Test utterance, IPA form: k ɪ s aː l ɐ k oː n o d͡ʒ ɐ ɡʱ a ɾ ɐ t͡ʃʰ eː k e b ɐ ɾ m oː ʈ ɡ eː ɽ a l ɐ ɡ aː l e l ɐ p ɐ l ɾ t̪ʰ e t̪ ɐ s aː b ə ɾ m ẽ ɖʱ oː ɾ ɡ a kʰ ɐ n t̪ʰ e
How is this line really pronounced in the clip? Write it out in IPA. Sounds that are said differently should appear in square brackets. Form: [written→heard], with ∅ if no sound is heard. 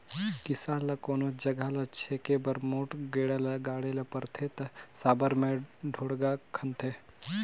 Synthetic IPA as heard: k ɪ s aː l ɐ k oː n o d͡ʒ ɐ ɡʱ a [ɾ→l] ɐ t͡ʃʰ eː k e b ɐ ɾ m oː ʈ ɡ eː ɽ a l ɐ ɡ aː [l→ɽ] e l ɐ p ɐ [l→∅] ɾ t̪ʰ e t̪ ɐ s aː b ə ɾ m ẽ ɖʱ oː [ɾ→ɽ] ɡ a kʰ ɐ n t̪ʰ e